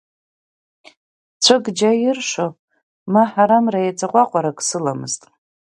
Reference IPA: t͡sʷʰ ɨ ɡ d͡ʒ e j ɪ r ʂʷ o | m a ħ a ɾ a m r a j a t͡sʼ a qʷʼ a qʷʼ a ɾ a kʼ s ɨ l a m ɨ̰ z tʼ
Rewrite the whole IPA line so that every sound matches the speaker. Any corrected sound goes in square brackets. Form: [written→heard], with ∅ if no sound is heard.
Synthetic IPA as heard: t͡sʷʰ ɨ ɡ d͡ʒ [e→a] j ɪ r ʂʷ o | m a ħ a ɾ a m r a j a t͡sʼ a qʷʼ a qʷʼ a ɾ a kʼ s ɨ l a m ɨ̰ z tʼ